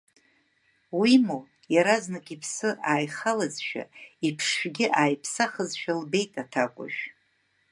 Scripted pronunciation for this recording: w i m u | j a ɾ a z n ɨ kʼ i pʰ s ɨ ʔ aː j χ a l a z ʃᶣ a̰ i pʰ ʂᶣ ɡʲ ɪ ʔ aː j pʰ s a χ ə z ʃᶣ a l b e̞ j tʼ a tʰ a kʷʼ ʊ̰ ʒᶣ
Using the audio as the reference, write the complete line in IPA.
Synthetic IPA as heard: w i m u | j a ɾ a z n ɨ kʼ i pʰ s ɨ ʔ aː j χ a l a z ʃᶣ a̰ i pʰ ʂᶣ ɡʲ ɪ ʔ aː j pʰ s a χ ə z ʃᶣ a l b e̞ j tʼ a tʰ a kʷʼ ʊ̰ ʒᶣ